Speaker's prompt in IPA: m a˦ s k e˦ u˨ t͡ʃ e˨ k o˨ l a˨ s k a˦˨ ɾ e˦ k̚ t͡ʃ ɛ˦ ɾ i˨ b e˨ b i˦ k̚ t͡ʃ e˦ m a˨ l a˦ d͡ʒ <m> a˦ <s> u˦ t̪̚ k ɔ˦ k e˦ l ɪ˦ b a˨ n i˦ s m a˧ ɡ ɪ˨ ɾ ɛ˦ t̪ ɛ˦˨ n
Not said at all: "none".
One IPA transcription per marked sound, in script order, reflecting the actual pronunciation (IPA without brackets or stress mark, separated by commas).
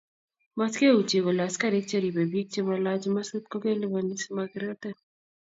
m, s